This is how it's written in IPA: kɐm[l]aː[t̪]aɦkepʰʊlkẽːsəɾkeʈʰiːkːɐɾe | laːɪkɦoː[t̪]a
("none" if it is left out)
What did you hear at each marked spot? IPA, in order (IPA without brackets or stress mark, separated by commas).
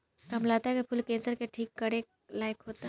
l, t̪, t̪